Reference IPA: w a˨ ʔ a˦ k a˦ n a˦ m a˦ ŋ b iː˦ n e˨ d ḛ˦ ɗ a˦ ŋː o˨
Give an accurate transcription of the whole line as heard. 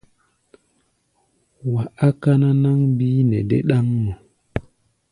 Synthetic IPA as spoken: w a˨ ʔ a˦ k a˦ n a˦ n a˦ ŋ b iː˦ n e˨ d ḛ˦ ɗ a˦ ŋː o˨